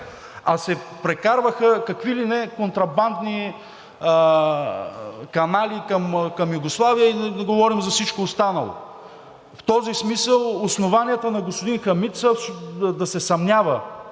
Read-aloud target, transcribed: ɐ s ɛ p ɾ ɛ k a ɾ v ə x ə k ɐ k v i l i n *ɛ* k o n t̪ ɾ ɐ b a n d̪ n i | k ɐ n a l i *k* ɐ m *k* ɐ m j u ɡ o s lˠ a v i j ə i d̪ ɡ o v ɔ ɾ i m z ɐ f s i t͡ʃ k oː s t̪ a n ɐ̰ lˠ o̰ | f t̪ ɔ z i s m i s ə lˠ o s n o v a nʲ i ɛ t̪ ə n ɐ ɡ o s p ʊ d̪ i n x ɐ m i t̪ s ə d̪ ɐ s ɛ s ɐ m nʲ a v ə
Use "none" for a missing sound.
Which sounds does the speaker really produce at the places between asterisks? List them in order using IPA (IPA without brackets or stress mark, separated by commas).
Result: ɛ, k, k